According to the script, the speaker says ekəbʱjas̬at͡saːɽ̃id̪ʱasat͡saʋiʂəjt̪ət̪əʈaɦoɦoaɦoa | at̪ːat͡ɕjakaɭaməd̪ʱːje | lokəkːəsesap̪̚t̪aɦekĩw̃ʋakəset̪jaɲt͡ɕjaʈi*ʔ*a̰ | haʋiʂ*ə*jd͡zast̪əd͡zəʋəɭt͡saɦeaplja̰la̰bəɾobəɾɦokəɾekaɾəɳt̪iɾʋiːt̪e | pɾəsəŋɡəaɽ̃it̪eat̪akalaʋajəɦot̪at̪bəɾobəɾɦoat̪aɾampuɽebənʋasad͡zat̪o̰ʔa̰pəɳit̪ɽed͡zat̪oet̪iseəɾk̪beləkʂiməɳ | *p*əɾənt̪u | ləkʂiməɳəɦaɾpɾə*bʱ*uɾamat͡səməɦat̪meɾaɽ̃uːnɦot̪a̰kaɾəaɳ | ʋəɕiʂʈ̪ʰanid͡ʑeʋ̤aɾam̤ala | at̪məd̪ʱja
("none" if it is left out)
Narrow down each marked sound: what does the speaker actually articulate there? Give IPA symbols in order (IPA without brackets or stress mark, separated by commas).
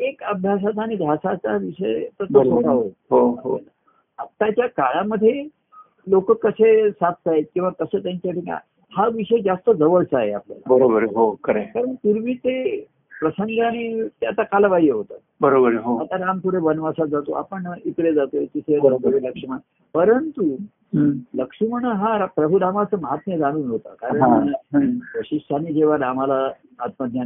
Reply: k, ə, p, bʱ